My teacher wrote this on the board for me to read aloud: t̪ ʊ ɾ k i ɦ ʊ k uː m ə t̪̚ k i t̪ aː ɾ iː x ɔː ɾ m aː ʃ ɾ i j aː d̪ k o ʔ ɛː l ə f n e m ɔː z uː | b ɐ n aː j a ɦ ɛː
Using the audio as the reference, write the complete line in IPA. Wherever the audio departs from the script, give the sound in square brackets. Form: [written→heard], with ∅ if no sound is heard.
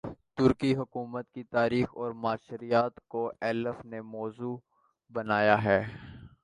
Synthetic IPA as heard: t̪ ʊ ɾ k i ɦ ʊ k uː m ə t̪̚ k i t̪ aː ɾ iː x ɔː ɾ m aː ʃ ɾ i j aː [d̪→t̪] k o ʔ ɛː l ə f n e m ɔː z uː | b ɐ n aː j a ɦ ɛː